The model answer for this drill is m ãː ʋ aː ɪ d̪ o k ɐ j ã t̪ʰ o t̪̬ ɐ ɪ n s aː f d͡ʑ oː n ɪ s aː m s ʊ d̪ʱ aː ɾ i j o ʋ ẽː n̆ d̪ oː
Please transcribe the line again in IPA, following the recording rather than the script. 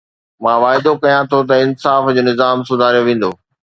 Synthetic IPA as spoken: m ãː ʋ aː ɪ d̪ o k ɐ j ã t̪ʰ o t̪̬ ɐ ɪ n s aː f d͡ʑ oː n ɪ z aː m s ʊ d̪ʱ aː ɾ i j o ʋ ẽː n̆ d̪ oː